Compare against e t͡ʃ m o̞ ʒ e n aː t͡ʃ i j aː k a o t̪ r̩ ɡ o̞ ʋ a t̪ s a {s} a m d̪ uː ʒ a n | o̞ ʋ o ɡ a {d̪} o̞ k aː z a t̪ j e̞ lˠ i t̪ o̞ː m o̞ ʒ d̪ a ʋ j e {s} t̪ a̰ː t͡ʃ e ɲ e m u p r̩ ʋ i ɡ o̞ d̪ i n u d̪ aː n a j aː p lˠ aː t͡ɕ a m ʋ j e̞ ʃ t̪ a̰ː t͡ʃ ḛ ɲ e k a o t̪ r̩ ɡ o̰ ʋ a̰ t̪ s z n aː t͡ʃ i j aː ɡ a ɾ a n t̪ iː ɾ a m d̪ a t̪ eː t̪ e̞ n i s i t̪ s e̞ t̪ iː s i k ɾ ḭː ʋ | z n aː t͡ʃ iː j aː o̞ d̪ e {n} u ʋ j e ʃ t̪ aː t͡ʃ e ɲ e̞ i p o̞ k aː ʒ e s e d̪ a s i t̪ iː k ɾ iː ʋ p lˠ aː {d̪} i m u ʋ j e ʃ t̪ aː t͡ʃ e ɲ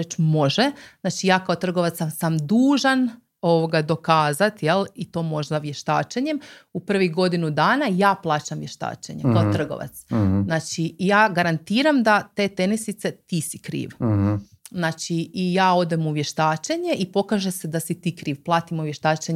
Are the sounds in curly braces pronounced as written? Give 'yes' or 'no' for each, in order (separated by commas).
yes, yes, no, no, no